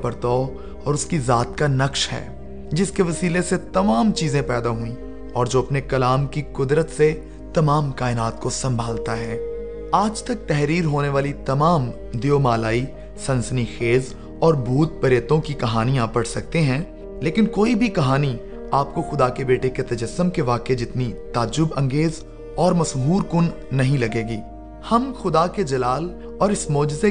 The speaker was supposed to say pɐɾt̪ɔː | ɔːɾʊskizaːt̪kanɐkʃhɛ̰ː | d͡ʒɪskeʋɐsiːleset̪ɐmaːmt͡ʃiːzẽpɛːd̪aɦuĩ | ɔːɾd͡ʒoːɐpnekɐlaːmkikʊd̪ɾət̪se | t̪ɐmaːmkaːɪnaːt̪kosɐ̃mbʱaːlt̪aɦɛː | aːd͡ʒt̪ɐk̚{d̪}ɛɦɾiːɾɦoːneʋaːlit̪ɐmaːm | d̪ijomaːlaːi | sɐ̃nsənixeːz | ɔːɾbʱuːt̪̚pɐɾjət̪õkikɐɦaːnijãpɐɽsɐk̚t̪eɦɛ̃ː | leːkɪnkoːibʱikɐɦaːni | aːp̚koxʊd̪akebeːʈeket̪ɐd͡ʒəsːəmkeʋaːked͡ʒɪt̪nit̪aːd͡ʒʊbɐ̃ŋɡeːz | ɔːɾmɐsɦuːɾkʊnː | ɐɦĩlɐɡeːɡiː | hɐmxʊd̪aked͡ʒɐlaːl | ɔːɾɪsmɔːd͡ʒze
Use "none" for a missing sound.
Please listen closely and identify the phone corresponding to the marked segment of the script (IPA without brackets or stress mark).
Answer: t̪